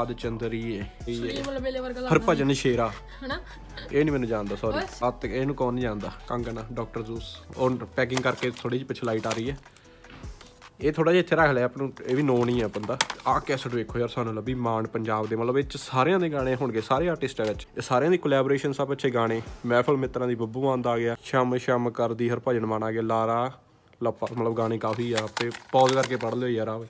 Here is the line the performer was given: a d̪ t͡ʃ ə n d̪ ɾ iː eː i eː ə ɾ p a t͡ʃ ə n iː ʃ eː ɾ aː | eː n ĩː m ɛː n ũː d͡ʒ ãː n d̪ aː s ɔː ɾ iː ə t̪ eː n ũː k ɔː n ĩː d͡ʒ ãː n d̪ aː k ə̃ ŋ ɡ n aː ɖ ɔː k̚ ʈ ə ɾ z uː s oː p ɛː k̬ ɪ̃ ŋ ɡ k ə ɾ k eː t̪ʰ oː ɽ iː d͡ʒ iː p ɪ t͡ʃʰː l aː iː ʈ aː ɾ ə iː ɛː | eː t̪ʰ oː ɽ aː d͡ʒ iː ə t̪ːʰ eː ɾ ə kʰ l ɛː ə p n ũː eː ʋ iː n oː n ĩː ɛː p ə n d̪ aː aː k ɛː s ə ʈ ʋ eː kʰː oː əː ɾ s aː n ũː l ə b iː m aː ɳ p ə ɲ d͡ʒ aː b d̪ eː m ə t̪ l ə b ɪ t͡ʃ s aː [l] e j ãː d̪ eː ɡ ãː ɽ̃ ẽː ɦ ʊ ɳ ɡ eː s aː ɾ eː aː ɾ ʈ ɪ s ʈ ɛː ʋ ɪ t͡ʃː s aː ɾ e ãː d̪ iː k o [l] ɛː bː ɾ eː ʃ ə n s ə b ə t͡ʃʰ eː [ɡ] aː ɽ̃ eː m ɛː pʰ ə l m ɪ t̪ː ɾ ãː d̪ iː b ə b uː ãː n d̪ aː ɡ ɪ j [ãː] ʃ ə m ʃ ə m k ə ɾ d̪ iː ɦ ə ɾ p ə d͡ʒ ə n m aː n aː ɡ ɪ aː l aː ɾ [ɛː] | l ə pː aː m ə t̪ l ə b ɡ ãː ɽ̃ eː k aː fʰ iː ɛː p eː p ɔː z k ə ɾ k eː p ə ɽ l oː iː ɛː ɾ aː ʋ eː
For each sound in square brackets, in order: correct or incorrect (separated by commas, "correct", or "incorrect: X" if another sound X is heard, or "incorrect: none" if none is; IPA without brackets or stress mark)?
incorrect: ɾ, correct, correct, incorrect: aː, incorrect: aː